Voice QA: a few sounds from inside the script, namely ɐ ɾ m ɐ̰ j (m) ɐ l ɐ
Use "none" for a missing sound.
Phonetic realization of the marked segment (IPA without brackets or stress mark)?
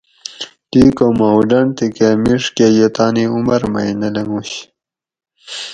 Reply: n